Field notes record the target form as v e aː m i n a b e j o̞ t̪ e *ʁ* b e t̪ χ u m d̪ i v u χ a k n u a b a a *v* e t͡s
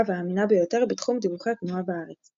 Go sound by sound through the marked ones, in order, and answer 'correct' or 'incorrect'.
correct, incorrect: ʁ

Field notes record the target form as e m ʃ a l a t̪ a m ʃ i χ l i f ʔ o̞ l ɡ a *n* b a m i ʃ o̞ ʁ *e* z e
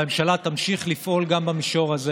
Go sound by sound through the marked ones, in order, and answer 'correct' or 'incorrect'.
incorrect: m, incorrect: a

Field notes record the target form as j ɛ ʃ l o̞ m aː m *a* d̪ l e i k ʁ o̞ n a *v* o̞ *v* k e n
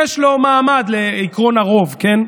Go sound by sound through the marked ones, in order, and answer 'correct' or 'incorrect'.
correct, incorrect: ʁ, correct

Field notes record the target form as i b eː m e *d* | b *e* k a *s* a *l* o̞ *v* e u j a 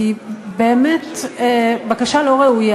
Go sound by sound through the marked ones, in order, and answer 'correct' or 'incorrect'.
incorrect: t, incorrect: a, incorrect: ʃ, correct, incorrect: ʁ

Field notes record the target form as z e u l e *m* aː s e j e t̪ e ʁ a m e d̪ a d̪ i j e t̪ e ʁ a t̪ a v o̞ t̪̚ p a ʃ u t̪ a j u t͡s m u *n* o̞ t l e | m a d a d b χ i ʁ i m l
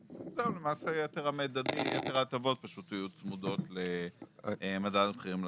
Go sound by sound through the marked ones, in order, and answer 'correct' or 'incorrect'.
correct, incorrect: d

